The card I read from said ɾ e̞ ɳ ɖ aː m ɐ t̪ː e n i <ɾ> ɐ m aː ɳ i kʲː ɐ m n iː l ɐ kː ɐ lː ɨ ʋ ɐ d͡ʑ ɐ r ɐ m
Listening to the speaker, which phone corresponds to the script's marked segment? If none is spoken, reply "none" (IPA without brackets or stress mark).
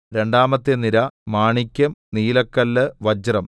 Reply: ɾ